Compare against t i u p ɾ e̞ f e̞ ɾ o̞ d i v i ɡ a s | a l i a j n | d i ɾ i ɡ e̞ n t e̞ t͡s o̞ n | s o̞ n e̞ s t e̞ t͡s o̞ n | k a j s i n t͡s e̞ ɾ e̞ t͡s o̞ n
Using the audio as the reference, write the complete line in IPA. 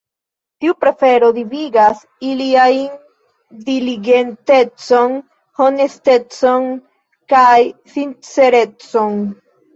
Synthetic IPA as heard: t i u p ɾ e̞ f e̞ ɾ o̞ d i v i ɡ a s | i l i a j n | d i l i ɡ e̞ n t e̞ t͡s o̞ n | h o̞ n e̞ s t e̞ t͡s o̞ n | k a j s i n t͡s e̞ ɾ e̞ t͡s o̞ n